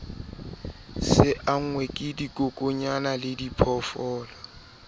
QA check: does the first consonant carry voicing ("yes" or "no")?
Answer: no